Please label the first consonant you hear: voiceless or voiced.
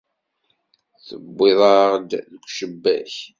voiceless